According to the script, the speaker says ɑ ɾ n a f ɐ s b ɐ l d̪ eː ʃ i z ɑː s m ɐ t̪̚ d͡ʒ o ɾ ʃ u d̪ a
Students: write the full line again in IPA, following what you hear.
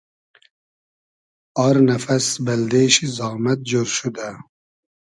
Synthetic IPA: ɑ ɾ n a f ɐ s b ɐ l d̪ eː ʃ i z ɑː m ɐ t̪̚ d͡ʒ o ɾ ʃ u d̪ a